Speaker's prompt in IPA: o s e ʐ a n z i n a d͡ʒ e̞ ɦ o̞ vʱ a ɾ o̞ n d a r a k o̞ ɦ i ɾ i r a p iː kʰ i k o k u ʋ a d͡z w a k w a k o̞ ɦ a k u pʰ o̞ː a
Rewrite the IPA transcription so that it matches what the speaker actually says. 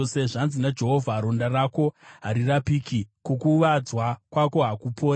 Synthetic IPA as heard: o s e ʐ a n z i n a d͡ʒ e̞ ɦ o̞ vʱ a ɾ o̞ n d a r a k o̞ ɦ a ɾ i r a p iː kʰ i k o k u ʋ a d͡z w a k w a k o̞ ɦ a k u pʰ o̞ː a

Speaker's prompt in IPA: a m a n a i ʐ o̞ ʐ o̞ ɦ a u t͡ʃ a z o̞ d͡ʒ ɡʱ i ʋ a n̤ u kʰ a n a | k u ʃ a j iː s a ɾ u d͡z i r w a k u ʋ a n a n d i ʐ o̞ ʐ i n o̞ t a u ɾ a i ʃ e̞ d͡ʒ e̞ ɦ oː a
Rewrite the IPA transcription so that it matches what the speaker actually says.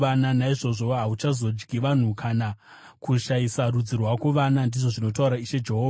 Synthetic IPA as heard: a n a n a i ʐ o̞ ʐ o̞ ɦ a u t͡ʃ a z o̞ d͡ʒ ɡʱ i ʋ a n̤ u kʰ a n a | k u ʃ a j i s a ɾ u d͡z i r w a k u ʋ a n a n d i ʐ o̞ ʐ i n o̞ t a u ɾ a i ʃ e̞ d͡ʒ e̞ ɦ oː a

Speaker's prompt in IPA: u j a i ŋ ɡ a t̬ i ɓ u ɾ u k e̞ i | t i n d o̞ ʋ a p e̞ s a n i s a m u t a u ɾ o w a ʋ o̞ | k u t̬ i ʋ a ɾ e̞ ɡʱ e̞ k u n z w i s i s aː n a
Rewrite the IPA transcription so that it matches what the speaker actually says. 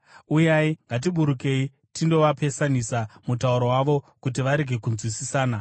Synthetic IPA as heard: u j a i ŋ ɡ a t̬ i ɓ u ɾ u k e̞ i | t i n d o̞ ʋ a p e̞ s a n i s a m u t a u ɾ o w a ʋ o̞ | k u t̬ i ʋ a ɾ e̞ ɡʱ e̞ k u n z w i s i s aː n a

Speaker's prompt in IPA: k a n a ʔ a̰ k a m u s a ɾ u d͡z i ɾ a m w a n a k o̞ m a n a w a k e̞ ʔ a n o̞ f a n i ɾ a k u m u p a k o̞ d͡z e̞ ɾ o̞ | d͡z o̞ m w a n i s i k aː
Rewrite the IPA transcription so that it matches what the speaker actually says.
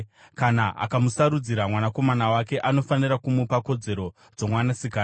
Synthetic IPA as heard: k a n a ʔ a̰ k a m u s a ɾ u d͡z i ɾ a m w a n a k o̞ m a n a w a k e̞ ʔ a n o̞ f a n i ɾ a k u m u p a k o̞ d͡z e̞ ɾ o̞ | d͡z o̞ m w a n a s i k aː

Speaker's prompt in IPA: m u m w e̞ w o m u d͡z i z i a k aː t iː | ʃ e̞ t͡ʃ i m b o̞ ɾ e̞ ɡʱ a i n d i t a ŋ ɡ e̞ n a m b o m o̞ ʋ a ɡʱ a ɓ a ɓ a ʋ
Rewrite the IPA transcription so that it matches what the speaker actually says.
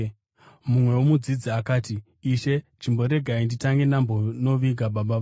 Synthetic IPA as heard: m u m w e̞ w o m u d͡z i d͡z i a k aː t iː | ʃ e̞ t͡ʃ i m b o̞ ɾ e̞ ɡʱ a i n d i t a ŋ ɡ e̞ n a m b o n o̞ ʋ i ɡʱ a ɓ a ɓ a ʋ

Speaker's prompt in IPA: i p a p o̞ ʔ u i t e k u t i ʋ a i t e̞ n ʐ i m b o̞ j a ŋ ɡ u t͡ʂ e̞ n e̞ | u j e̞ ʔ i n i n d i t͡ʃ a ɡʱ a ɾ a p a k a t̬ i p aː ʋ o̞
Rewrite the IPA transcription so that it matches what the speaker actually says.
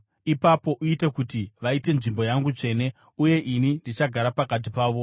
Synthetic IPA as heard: i p a p o̞ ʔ u i t e k u t i ʋ a i t e̞ n ʐ i m b o̞ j a ŋ ɡ u t͡ʂ e̞ n e̞ | u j e̞ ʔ i n i n d i t͡ʃ a ɡʱ a ɾ a p a k a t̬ i p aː ʋ o̞

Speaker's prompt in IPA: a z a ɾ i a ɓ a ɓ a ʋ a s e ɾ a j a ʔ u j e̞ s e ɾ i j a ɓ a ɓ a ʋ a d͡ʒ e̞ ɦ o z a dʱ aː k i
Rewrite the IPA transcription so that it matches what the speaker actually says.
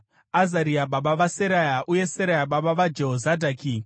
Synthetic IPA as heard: a z a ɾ i a ɓ a ɓ a ʋ a s e ɾ a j a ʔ u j e̞ s e ɾ a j a ɓ a ɓ a ʋ a d͡ʒ e̞ ɦ o z a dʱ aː k i

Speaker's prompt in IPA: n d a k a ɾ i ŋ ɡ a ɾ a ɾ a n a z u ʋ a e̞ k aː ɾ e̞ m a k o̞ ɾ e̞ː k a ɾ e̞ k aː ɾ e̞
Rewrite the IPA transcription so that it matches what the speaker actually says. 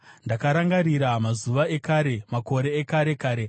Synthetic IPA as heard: n d a k a ɾ a ŋ ɡ a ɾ i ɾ a m a z u ʋ a e̞ k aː ɾ e̞ m a k o̞ ɾ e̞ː k a ɾ e̞ k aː ɾ e̞

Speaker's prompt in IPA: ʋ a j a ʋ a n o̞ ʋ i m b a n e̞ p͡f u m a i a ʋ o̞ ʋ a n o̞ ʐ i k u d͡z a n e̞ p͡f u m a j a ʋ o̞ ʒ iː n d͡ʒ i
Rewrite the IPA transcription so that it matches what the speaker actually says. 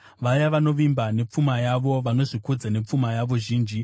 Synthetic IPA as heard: ʋ a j a ʋ a n o̞ ʋ i m b a n e̞ p͡f u m a j a ʋ o̞ ʋ a n o̞ ʐ i k u d͡z a n e̞ p͡f u m a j a ʋ o̞ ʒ iː n d͡ʒ i

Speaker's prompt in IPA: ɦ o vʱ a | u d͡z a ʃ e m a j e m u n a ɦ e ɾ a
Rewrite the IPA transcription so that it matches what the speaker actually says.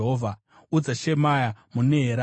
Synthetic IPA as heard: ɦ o vʱ a | u d͡z a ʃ e m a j a m u n e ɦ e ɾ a

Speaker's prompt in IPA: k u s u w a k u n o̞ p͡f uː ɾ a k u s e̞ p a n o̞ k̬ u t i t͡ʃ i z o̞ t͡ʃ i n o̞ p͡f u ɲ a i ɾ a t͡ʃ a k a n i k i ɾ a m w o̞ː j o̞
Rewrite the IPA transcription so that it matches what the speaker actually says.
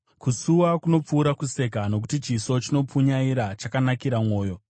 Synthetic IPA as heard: k u s u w a k u n o̞ p͡f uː ɾ a k u s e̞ k a n o̞ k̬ u t i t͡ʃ i s o̞ t͡ʃ i n o̞ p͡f u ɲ a i ɾ a t͡ʃ a k a n a k i ɾ a m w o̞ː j o̞

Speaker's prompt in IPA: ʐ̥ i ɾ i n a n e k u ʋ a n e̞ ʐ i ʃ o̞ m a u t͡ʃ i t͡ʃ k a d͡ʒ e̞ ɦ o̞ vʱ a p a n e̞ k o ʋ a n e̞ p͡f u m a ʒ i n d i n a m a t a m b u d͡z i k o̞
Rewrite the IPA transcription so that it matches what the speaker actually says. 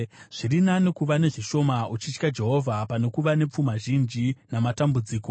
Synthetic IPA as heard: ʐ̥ i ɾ i n a n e k u ʋ a n e̞ ʐ i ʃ o̞ m a u t͡ʃ i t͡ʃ k a d͡ʒ e̞ ɦ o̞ vʱ a p a n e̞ k u ʋ a n e̞ p͡f u m a ʒ i n d͡ʒ i n a m a t a m b u d͡z iː k o̞

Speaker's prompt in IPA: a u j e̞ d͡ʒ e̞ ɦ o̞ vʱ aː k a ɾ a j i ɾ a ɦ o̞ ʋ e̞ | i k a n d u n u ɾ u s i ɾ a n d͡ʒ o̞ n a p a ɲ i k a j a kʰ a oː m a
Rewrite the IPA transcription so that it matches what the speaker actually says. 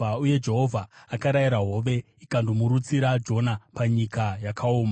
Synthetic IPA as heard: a u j e̞ d͡ʒ e̞ ɦ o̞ vʱ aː k a ɾ a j i ɾ a ɦ o̞ ʋ e̞ | i k a n d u m u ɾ u t͡s i ɾ a d͡ʒ o̞ n a p a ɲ i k a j a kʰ a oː m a

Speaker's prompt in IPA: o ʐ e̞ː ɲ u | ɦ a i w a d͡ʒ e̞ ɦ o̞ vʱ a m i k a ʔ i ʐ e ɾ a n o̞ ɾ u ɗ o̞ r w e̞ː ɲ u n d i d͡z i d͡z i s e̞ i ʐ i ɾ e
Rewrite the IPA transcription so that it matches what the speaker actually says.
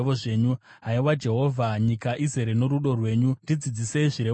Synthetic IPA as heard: o ʐ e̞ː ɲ u | ɦ a i w a d͡ʒ e̞ ɦ o̞ vʱ a ɲ i k a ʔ i z e ɾ e n o̞ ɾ u ɗ o̞ r w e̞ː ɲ u n d i d͡z i d͡z i s e̞ i ʐ i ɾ e

